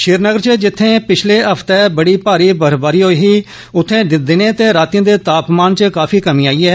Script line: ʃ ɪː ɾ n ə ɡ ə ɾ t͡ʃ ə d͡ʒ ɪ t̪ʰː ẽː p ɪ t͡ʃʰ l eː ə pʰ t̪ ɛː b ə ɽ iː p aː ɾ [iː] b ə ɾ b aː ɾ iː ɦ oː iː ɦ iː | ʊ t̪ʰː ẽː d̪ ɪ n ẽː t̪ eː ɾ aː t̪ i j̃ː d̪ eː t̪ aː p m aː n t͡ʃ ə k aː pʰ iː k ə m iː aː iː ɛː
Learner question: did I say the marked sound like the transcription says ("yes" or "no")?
yes